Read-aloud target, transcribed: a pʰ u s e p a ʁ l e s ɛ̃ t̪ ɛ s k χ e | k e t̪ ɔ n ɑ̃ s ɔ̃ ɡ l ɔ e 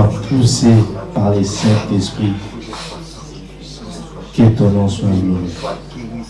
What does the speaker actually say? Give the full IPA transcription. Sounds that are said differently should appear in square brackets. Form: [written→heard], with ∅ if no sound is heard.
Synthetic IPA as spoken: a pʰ u s e p a ʁ l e s ɛ̃ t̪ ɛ s [k→p] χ [e→i] | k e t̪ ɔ n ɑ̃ s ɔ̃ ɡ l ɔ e